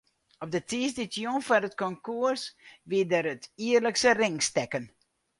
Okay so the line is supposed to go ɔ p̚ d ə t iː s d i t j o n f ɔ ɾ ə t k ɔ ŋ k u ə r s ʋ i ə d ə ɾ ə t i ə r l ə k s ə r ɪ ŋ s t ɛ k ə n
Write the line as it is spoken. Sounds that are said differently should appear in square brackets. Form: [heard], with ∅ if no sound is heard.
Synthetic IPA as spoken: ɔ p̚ d ə t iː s d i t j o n f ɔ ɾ ə t k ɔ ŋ k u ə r s ʋ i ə d ə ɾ ə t i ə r l ə k s ə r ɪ ŋ s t ɛ k ə n